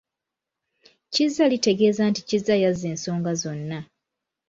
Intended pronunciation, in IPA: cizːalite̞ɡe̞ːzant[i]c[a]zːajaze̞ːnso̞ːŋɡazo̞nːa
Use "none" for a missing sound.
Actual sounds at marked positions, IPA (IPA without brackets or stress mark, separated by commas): i, i